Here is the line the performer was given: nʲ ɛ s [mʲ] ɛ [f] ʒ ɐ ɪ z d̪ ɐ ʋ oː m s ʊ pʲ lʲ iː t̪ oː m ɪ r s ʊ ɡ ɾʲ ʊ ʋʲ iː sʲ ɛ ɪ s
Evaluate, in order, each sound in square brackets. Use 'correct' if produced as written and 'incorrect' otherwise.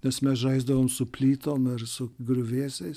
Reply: correct, incorrect: s

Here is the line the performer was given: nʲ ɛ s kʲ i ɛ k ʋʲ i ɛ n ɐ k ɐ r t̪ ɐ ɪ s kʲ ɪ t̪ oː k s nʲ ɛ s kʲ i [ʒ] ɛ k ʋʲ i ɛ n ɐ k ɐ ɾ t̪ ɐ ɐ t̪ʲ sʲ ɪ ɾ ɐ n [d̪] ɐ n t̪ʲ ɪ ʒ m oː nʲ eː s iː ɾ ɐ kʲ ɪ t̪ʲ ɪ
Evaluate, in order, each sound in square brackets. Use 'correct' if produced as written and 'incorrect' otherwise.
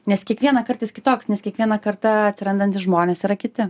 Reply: incorrect: none, correct

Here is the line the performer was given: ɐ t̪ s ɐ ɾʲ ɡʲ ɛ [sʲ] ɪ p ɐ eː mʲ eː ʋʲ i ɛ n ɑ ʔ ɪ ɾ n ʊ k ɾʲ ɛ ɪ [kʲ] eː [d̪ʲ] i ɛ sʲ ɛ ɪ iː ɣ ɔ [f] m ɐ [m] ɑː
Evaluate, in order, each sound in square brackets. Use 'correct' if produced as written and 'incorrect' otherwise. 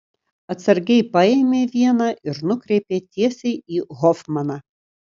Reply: incorrect: none, incorrect: pʲ, incorrect: t̪ʲ, correct, incorrect: n

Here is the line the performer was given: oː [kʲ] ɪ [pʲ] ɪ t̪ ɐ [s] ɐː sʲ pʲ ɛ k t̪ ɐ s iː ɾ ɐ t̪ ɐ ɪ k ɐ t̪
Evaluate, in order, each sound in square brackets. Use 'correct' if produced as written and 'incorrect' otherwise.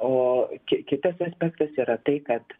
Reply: correct, incorrect: kʲ, correct

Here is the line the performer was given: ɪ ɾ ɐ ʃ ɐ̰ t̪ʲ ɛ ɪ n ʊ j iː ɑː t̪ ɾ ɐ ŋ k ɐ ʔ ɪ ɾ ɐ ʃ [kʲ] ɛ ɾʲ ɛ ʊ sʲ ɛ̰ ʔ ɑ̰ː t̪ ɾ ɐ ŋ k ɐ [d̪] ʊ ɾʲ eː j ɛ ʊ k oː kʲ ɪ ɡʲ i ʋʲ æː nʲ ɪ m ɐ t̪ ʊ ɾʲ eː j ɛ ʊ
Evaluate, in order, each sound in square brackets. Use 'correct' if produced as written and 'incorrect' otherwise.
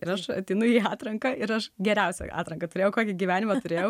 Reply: incorrect: ɡʲ, incorrect: t̪

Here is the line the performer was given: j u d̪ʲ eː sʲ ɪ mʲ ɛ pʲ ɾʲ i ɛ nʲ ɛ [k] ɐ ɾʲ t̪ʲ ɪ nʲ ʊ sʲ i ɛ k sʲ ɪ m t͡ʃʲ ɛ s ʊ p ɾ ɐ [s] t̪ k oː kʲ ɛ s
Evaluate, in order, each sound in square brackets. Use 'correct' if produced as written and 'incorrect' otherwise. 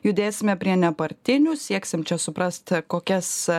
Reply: incorrect: p, correct

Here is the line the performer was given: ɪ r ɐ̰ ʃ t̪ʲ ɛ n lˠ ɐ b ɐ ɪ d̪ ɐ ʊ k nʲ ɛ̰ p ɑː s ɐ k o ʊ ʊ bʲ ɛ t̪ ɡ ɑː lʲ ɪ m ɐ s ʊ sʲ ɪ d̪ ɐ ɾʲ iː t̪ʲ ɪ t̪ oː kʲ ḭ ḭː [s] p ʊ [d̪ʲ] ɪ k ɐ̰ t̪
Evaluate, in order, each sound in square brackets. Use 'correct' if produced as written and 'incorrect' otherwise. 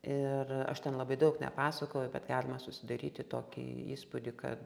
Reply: correct, correct

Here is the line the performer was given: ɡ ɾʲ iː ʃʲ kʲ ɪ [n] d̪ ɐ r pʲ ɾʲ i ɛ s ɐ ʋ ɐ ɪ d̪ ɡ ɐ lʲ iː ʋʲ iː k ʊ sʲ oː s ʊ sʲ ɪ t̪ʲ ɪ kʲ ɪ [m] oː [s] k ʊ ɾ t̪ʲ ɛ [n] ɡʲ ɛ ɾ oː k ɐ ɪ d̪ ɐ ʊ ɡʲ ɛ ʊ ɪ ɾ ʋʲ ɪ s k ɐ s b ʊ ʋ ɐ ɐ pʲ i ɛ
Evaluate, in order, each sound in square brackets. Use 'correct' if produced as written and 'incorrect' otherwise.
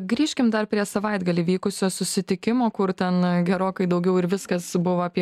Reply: incorrect: m, correct, incorrect: none, correct

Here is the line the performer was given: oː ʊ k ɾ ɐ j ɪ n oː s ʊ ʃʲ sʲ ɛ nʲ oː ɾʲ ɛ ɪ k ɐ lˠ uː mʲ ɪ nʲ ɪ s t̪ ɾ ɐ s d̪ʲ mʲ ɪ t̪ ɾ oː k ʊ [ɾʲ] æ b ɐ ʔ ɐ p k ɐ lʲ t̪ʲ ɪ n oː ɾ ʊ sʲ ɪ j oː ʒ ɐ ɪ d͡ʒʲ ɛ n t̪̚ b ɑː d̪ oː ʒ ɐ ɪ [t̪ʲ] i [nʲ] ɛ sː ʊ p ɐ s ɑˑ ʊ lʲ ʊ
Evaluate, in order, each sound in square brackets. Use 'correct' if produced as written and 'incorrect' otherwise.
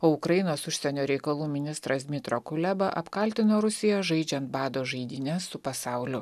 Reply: incorrect: lʲ, incorrect: d̪ʲ, correct

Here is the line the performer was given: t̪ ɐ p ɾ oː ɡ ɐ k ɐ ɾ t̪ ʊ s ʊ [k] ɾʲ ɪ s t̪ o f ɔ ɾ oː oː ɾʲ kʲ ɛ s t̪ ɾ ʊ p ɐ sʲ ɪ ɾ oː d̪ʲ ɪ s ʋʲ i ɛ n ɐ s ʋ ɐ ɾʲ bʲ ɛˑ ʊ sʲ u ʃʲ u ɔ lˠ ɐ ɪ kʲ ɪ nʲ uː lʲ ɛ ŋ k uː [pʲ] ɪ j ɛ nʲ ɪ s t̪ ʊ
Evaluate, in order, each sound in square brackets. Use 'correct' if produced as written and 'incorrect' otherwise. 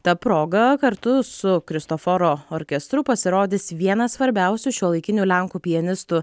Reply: correct, correct

